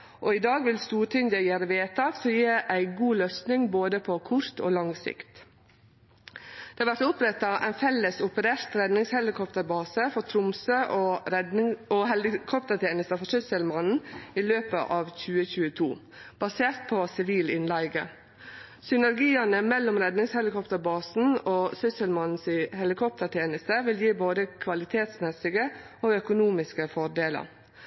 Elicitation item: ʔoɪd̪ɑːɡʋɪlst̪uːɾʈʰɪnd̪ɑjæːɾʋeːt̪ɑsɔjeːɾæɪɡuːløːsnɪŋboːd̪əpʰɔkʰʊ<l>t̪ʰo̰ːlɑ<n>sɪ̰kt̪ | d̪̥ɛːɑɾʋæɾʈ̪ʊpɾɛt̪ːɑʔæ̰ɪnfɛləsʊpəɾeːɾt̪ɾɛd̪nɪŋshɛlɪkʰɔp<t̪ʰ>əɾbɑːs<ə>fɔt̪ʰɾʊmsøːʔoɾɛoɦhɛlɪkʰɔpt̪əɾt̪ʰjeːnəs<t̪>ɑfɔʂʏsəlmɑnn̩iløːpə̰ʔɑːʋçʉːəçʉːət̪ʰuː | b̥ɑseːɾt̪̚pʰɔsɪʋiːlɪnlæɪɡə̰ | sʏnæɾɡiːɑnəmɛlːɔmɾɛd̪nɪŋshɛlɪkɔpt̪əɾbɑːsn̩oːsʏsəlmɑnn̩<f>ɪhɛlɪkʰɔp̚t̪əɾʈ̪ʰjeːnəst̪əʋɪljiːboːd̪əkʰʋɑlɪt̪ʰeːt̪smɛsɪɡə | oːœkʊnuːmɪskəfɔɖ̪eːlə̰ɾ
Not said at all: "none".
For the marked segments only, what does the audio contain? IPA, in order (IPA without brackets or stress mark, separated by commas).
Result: ɾ, ŋ, t̪, ə, t̪, s